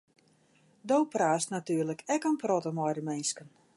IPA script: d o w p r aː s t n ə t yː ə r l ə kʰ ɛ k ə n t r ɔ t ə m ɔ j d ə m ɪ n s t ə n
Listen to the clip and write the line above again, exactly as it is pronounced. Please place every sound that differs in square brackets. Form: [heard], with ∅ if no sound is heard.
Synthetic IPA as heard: d o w p r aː s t n [a] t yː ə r l ə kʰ ɛ k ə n [p] r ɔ t ə m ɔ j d ə m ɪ n s [k] ə n